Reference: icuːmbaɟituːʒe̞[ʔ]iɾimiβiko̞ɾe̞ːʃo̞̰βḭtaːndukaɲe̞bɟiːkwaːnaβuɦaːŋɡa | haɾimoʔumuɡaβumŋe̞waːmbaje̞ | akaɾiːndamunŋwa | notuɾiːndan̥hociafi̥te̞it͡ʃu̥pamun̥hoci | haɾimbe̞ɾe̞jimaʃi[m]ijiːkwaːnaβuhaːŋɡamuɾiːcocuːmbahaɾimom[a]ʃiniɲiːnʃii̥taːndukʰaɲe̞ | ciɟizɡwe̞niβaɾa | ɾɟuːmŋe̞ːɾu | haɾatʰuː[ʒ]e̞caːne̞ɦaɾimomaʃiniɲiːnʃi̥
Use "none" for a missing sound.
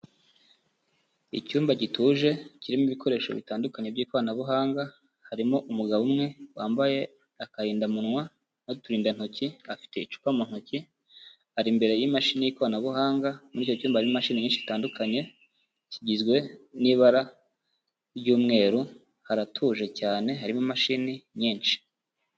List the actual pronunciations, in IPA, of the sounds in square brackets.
c, n, a, ʒ

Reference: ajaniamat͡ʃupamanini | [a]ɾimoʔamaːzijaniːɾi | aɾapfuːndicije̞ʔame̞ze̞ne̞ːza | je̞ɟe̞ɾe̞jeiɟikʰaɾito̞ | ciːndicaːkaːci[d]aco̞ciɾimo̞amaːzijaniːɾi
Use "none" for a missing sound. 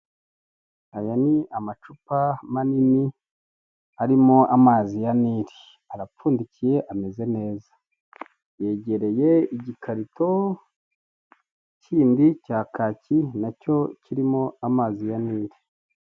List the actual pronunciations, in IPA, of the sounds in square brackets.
a, n

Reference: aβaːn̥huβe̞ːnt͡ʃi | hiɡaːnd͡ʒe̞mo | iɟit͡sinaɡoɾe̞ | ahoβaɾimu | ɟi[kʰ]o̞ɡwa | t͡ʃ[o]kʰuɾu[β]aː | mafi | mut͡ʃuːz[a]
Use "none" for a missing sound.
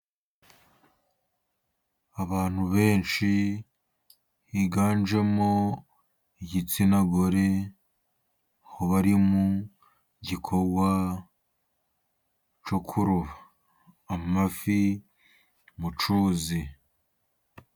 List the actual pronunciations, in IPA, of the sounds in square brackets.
kʰ, o, β, i

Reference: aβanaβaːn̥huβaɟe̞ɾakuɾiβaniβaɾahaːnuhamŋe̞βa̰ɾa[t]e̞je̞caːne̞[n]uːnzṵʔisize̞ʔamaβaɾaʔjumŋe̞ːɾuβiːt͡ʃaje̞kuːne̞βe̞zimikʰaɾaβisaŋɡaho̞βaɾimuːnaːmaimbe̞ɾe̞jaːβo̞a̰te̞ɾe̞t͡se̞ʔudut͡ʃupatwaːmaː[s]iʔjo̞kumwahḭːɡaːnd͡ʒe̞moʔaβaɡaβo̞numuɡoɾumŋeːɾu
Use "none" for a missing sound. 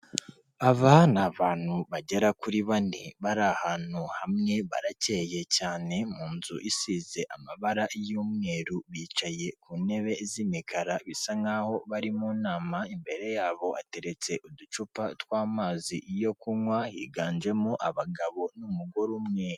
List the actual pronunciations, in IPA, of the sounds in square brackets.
c, m, z

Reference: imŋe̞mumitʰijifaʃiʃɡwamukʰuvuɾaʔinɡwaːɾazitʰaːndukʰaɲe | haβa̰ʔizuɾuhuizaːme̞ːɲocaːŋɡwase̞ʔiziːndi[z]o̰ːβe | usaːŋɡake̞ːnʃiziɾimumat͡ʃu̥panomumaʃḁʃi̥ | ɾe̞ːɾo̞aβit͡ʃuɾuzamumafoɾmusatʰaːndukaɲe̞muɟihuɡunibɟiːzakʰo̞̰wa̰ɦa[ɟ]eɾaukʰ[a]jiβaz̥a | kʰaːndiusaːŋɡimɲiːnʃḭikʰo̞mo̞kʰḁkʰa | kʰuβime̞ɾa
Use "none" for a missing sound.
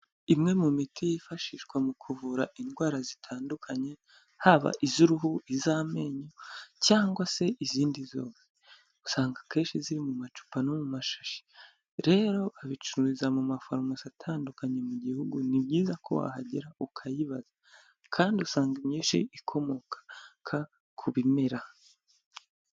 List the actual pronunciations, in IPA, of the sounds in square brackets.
z, ɟ, a

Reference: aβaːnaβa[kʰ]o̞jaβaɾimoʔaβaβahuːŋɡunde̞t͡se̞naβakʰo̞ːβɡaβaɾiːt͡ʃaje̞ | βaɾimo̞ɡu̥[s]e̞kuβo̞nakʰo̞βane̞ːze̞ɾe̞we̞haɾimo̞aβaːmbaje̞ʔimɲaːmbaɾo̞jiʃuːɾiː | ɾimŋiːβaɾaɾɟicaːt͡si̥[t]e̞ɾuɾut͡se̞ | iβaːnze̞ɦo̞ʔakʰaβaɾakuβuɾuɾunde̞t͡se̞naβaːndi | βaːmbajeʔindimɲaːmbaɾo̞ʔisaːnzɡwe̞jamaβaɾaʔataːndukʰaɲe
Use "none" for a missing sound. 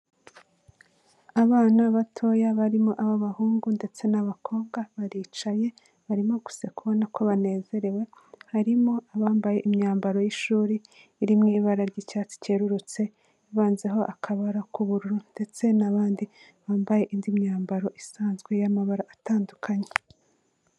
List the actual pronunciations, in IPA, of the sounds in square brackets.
tʰ, s, c

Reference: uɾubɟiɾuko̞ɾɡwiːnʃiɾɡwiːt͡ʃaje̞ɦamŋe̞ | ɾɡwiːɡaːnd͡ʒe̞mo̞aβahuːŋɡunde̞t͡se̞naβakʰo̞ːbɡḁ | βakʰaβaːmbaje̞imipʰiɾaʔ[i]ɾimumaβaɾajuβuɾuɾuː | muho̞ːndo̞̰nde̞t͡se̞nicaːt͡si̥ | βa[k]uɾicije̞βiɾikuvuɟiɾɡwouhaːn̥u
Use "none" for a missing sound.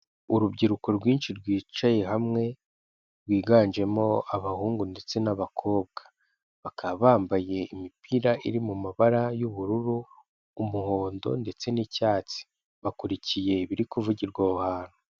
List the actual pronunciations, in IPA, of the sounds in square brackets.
i, k

